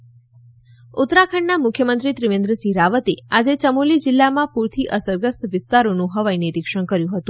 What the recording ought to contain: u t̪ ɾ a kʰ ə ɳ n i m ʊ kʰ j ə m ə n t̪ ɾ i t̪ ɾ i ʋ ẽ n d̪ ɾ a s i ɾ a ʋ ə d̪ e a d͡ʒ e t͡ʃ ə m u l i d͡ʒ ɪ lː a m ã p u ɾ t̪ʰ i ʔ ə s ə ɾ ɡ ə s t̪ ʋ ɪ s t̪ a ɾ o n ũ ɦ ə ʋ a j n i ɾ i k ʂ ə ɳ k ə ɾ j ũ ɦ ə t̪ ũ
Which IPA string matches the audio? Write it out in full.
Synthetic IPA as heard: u t̪ ɾ a kʰ ə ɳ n a m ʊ kʰ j ə m ə n t̪ ɾ i t̪ ɾ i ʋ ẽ n d̪ ɾ ə s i ɾ a ʋ ə t̪ e a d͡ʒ e t͡ʃ ə m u l i d͡ʒ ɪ lː a m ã p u ɾ t̪ʰ i ʔ ə s ə ɾ ɡ ə s t̪ ʋ ɪ s t̪ a ɾ o n ũ ɦ ə ʋ a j n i ɾ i k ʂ ə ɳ k ə ɾ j ũ ɦ ə t̪ ũ